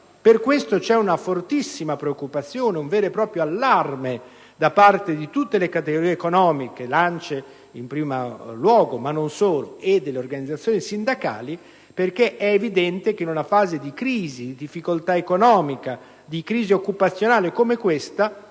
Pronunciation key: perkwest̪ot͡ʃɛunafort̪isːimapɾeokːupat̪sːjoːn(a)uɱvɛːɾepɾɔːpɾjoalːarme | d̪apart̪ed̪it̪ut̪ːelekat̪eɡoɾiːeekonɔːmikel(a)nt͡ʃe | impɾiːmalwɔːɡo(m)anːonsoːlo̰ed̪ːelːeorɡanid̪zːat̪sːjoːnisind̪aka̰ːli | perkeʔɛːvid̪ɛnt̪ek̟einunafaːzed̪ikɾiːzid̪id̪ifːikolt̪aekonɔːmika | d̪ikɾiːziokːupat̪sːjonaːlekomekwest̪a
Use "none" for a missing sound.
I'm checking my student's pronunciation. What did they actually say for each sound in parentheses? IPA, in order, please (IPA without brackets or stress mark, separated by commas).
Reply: e, a, m